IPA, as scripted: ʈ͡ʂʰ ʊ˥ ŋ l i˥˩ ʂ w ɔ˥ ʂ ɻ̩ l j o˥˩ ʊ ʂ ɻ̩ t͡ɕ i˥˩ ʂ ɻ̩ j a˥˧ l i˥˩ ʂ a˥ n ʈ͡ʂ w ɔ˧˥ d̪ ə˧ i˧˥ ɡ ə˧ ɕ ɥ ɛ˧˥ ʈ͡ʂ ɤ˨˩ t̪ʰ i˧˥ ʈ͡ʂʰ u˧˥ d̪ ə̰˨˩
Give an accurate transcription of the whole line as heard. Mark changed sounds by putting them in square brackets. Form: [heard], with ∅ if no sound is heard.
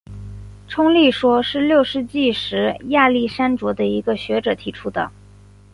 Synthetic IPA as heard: ʈ͡ʂʰ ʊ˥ ŋ l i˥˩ ʂ w ɔ˥ ʂ ɻ̩ l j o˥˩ ʊ ʂ ɻ̩ t͡ɕ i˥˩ ʂ ɻ̩ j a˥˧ l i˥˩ ʂ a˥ n ʈ͡ʂ w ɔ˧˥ d̪ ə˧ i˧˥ ɡ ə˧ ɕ ɥ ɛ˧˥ ʈ͡ʂ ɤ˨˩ t̪ʰ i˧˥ ʈ͡ʂʰ [u˥] d̪ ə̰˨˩